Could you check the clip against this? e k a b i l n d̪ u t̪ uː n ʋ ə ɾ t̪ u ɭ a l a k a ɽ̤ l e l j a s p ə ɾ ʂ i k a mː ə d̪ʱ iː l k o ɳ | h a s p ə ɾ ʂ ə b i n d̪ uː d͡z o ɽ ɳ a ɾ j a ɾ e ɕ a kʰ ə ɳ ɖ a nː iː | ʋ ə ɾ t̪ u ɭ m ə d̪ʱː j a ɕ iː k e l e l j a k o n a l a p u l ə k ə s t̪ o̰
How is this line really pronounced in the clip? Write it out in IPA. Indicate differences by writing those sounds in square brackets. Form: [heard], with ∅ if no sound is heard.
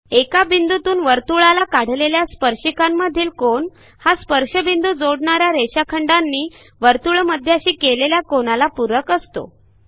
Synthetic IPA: e k a b i [∅] n d̪ u t̪ uː n ʋ ə ɾ t̪ u ɭ a l a k a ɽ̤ l e l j a s p ə ɾ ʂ i k a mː ə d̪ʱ iː l k o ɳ | h a s p ə ɾ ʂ ə b i n d̪ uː d͡z o ɽ ɳ a ɾ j a ɾ e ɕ a kʰ ə ɳ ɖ a nː iː | ʋ ə ɾ t̪ u ɭ m ə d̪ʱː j a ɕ iː k e l e l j a k o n a l a p u [ɾ] ə k ə s t̪ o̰

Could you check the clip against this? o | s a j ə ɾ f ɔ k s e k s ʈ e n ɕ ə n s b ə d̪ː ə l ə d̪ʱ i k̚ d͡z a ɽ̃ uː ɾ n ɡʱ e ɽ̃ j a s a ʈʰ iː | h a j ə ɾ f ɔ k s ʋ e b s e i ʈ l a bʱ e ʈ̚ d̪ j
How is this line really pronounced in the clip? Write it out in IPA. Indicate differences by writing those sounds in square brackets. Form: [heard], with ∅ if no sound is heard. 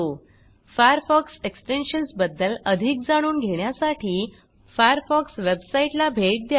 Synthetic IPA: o | [f] a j ə ɾ f ɔ k s e k s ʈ e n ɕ ə n s b ə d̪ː ə l ə d̪ʱ i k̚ d͡z a ɽ̃ uː [∅] n ɡʱ e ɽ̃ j a s a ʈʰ iː | [f] a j ə ɾ f ɔ k s ʋ e b s [a] i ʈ l a bʱ e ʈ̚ d̪ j

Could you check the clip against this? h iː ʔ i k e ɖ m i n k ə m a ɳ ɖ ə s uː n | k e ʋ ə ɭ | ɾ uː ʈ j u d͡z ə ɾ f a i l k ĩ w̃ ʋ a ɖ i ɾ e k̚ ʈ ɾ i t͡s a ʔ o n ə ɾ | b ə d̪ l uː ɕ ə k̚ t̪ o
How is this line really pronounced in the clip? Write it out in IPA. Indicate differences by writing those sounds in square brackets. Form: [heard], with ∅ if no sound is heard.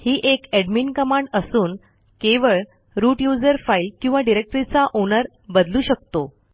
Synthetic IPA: h iː ʔ [e] k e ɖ m i n k ə m a ɳ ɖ ə s uː n | k e ʋ ə ɭ | ɾ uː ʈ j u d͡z ə ɾ f a i l k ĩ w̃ ʋ a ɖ i ɾ e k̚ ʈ ɾ i t͡s a ʔ o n ə ɾ | b ə d̪ l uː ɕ ə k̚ t̪ o

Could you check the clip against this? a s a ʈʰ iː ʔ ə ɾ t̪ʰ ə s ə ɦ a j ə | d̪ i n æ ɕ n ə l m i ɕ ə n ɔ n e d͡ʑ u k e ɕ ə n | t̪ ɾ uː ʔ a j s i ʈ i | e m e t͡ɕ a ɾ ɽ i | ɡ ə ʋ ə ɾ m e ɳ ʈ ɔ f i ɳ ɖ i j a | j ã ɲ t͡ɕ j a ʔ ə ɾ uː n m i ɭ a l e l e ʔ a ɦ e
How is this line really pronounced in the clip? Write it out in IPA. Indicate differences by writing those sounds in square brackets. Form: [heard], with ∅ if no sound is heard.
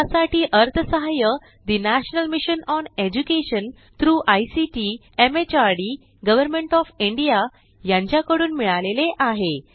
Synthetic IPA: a s a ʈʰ iː ʔ ə ɾ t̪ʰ ə s ə ɦ a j ə | d̪ i n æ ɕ n ə l m i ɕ ə n ɔ n e d͡ʑ u k e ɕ ə n | t̪ ɾ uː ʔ a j s i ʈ i | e m e t͡ɕ a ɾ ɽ i | ɡ ə ʋ ə ɾ m e ɳ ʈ ɔ f i ɳ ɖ i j a | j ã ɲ t͡ɕ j a [k] ə [ɽ] uː n m i ɭ a l e l e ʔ a ɦ e

